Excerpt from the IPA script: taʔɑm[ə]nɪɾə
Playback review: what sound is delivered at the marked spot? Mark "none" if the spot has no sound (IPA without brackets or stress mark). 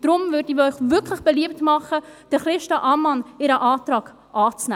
ɑ